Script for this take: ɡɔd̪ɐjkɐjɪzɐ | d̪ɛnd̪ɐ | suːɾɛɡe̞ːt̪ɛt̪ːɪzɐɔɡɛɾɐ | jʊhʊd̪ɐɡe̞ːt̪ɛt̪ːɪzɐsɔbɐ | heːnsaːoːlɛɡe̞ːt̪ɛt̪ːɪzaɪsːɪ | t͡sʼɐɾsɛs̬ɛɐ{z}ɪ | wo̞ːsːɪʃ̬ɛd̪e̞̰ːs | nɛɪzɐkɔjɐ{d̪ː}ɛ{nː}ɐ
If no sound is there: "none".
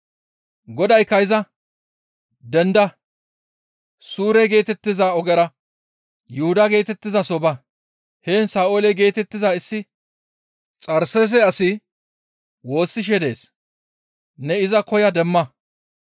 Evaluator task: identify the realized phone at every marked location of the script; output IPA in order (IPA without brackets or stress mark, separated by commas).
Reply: s, d̪, mː